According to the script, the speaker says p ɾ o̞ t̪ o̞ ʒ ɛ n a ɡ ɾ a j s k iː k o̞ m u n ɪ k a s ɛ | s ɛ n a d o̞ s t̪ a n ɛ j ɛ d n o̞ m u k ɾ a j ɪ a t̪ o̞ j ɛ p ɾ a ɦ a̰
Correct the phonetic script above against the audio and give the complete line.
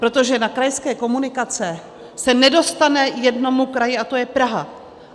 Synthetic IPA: p ɾ o̞ t̪ o̞ ʒ ɛ n a k ɾ a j s k ɛː k o̞ m u n ɪ k a t͡s ɛ | s ɛ n ɛ d o̞ s t̪ a n ɛ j ɛ d n o̞ m u k ɾ a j ɪ a t̪ o̞ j ɛ p ɾ a ɦ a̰